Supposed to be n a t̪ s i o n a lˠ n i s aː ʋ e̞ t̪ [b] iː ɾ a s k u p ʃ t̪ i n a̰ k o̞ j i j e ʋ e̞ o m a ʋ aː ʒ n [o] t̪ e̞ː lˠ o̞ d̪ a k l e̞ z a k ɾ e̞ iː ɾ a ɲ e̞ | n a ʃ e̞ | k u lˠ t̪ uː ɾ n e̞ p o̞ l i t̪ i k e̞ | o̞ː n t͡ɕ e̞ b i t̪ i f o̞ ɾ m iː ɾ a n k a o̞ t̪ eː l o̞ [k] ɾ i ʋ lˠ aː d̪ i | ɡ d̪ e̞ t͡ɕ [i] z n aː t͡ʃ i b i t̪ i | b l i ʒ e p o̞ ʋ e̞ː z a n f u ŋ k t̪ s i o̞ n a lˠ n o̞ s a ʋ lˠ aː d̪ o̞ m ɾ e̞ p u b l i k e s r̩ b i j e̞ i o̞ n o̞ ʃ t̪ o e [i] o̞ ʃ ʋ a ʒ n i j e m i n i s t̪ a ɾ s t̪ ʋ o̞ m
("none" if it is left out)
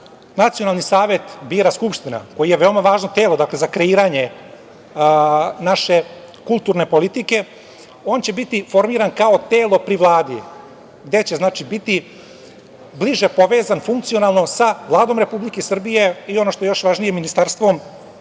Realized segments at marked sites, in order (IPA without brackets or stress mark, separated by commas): b, o, p, e, j